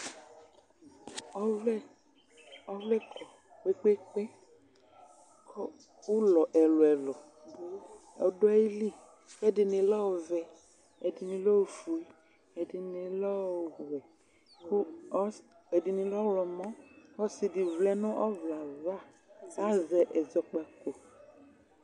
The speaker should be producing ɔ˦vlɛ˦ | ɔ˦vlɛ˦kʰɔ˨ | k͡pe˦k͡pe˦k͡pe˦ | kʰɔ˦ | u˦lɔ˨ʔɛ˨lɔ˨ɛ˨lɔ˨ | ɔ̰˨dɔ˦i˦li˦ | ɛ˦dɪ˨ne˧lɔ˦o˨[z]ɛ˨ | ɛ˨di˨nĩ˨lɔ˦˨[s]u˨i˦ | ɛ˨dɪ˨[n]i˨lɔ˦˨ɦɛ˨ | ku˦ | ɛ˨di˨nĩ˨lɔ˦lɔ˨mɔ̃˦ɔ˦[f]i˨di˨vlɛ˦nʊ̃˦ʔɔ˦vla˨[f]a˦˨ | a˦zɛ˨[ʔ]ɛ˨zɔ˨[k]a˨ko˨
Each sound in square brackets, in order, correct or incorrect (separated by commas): incorrect, incorrect, correct, incorrect, incorrect, correct, incorrect